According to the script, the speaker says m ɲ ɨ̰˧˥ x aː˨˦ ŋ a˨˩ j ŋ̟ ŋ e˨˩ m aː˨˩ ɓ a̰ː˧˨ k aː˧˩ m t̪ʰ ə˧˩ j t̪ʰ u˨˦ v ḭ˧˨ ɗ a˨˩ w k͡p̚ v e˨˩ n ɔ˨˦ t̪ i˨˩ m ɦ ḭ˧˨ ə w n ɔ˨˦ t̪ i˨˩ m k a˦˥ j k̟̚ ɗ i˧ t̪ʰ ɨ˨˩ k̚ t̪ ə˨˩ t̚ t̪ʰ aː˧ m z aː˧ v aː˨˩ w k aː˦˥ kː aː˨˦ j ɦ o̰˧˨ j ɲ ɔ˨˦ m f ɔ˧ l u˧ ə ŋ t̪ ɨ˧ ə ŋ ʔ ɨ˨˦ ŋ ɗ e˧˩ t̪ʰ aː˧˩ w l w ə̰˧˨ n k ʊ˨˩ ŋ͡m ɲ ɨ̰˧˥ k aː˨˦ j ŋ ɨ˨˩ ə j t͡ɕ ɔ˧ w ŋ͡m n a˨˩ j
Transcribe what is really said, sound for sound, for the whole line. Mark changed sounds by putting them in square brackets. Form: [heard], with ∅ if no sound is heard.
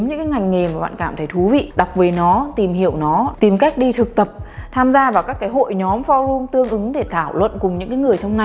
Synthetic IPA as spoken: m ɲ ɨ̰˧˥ [k] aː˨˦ ŋ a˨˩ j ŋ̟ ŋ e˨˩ m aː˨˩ ɓ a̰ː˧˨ k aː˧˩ m t̪ʰ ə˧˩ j t̪ʰ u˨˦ v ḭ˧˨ ɗ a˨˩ w k͡p̚ v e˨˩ n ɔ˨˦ t̪ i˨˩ m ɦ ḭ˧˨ ə w n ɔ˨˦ t̪ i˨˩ m k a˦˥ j k̟̚ ɗ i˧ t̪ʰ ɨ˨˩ k̚ t̪ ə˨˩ [p̚] t̪ʰ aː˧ m z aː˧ v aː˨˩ w k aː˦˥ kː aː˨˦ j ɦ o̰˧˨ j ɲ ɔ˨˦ m f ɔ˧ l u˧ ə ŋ t̪ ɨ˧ ə ŋ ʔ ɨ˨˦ ŋ ɗ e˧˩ t̪ʰ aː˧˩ w l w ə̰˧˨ n k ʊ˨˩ ŋ͡m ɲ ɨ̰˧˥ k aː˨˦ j ŋ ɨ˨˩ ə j t͡ɕ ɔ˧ w ŋ͡m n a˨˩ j